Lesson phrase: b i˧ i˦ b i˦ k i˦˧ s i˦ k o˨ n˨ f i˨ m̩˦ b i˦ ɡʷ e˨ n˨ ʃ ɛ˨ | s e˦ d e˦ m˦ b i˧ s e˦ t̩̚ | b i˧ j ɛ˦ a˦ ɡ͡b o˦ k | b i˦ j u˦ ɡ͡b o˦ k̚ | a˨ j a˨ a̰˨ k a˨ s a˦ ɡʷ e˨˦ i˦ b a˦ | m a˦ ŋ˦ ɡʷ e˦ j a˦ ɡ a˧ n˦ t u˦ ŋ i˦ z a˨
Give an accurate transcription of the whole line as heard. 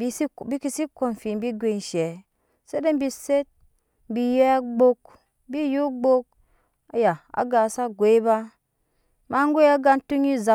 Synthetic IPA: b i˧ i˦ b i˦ k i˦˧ s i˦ k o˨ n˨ f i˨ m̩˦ b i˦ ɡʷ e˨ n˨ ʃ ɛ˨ | s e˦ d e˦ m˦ b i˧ s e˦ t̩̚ | b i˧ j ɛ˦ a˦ ɡ͡b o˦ k | b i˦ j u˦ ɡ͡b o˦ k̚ | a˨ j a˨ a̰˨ ɡ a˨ s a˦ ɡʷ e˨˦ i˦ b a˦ | m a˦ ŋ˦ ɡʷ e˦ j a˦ ɡ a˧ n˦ t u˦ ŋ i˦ z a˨